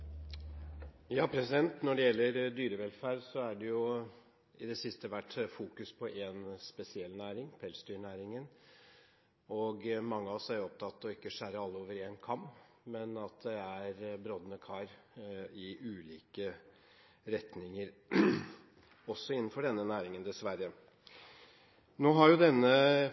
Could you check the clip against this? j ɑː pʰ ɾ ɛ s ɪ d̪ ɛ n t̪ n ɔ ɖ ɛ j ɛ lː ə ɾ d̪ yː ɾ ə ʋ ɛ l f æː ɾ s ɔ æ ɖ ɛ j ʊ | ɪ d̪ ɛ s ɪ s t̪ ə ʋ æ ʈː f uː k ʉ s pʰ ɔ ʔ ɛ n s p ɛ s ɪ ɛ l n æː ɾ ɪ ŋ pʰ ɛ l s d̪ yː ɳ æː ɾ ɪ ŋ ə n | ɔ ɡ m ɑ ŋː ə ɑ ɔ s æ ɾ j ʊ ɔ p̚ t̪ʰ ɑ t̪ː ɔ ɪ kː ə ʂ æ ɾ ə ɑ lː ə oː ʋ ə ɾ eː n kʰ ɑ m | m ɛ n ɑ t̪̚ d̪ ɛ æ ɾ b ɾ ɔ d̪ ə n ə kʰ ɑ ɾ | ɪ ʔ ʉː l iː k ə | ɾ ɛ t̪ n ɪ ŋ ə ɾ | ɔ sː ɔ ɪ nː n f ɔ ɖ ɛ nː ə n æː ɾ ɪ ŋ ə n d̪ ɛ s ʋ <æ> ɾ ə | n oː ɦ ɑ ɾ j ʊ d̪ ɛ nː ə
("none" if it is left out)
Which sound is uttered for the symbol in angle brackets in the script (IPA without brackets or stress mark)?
æ